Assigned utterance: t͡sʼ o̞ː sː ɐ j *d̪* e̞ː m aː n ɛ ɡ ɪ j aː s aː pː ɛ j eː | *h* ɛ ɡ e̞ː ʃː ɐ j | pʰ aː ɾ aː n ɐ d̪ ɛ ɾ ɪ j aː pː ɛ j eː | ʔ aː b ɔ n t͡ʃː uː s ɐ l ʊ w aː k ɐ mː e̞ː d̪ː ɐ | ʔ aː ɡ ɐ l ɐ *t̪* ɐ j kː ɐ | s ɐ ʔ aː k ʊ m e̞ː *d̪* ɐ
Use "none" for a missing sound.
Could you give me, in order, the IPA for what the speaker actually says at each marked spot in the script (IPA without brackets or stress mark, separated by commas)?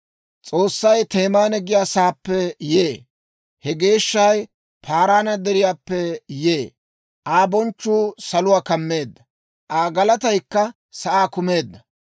t̪, h, t̪, d̪ː